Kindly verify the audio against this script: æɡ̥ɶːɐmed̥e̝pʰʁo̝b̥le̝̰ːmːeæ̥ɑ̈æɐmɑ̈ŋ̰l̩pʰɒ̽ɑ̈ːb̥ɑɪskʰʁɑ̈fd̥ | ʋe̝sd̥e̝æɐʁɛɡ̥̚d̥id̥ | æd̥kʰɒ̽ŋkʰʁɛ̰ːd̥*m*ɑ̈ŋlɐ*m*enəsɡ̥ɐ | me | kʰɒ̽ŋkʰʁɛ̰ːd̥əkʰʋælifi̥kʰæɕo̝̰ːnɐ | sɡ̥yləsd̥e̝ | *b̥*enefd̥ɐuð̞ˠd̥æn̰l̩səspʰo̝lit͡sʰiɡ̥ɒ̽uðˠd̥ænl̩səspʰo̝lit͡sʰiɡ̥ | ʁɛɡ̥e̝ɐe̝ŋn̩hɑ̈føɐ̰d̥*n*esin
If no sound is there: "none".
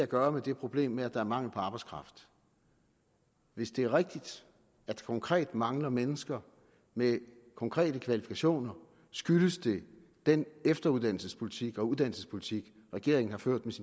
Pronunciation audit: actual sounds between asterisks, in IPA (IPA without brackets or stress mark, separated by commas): m, m, d̥, m